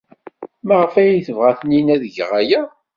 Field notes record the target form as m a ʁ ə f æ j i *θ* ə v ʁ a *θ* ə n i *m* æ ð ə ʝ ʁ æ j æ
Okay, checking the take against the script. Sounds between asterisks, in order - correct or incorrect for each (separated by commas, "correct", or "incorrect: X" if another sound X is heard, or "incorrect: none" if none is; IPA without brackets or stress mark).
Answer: correct, correct, incorrect: n